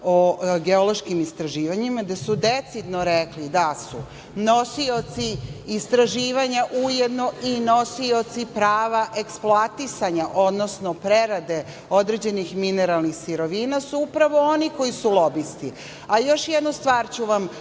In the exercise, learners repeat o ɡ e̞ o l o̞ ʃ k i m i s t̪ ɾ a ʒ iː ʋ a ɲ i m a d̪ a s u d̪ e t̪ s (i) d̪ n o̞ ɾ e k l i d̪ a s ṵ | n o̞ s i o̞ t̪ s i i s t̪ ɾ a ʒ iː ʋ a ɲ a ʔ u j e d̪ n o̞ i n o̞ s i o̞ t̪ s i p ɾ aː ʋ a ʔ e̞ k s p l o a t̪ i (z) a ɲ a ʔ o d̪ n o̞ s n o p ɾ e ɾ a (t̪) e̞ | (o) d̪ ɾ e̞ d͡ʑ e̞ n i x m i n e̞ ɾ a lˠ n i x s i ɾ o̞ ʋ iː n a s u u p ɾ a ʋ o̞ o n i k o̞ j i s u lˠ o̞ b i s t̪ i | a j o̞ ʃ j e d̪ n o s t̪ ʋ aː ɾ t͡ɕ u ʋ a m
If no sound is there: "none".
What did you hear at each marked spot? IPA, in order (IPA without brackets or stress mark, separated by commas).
i, s, d̪, o